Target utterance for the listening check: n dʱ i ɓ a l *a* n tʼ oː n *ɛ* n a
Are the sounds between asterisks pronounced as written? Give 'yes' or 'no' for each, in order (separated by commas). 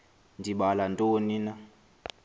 yes, no